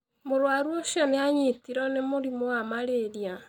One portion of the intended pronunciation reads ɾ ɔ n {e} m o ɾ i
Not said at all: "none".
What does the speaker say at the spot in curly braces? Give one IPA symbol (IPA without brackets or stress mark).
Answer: e